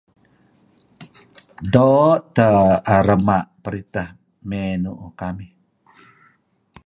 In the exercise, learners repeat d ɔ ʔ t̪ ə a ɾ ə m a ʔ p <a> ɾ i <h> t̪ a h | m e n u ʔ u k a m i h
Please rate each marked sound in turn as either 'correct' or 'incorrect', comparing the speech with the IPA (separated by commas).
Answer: incorrect, incorrect